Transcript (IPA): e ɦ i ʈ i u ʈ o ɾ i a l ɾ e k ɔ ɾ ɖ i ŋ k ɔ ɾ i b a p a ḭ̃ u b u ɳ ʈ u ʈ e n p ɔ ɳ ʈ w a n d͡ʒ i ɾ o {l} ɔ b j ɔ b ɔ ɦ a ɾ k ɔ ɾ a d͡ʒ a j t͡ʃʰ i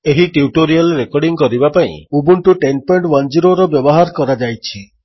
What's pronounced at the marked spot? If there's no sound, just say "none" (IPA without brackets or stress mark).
ɾ